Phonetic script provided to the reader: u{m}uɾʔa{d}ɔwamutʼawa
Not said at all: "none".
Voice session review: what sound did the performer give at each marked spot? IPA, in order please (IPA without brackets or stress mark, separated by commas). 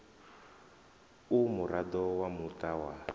m, d